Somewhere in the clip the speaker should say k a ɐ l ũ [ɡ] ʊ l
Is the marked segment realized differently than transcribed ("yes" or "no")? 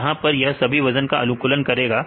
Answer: yes